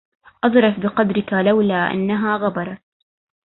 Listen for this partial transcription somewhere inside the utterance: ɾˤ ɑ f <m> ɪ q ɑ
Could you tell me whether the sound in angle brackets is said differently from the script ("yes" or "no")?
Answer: yes